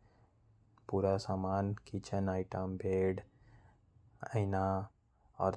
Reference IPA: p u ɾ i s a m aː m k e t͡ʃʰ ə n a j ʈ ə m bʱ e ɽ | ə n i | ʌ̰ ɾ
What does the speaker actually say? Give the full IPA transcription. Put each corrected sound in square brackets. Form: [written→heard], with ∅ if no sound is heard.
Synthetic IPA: p u ɾ [i→a] s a m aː [m→n] k [e→i] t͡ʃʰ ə n a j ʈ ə m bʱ e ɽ | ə n [i→a] | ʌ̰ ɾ